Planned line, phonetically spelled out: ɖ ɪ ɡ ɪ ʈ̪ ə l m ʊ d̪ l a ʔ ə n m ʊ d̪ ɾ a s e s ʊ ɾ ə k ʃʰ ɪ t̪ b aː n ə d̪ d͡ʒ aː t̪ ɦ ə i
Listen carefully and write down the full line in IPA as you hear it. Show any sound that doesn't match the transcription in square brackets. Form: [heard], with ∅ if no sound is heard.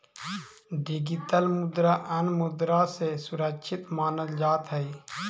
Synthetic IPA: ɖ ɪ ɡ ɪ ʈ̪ ə l m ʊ d̪ [ɾ] a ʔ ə n m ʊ d̪ ɾ a s e s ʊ ɾ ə k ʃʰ ɪ t̪ [m] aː n ə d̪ d͡ʒ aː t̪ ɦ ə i